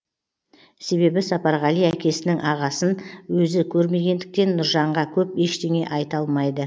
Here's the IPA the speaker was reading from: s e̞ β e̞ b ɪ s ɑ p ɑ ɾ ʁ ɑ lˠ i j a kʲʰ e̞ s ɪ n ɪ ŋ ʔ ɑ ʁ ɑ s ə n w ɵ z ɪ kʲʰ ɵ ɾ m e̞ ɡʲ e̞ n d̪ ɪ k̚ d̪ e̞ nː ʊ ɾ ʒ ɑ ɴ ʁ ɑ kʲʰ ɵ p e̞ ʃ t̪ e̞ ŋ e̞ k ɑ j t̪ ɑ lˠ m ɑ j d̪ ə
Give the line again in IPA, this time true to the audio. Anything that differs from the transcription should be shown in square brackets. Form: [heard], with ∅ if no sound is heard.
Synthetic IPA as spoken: s e̞ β e̞ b ɪ s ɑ p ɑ ɾ ʁ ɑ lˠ i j [æ] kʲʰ e̞ s ɪ n ɪ ŋ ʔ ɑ ʁ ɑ s ə n w ɵ z ɪ kʲʰ ɵ ɾ m e̞ ɡʲ e̞ n d̪ ɪ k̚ [t̪] e̞ nː ʊ ɾ ʒ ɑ ɴ ʁ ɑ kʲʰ ɵ p e̞ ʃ t̪ e̞ ŋ e̞ [ʔ] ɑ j t̪ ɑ lˠ m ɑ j d̪ ə